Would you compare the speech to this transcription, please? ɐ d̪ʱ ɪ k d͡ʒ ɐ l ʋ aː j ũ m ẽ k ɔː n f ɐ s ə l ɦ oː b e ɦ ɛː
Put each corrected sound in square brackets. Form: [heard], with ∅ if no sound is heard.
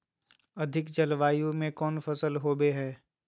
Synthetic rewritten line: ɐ d̪ʱ ɪ k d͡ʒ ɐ l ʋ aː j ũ m ẽ k ɔː n f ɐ s ə l ɦ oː b e ɦ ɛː